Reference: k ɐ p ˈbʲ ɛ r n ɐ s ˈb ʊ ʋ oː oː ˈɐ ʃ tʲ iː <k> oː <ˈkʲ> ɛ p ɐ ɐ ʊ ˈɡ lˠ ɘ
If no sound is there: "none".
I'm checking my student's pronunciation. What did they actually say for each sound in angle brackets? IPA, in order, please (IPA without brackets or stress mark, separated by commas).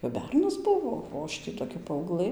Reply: t, kʲ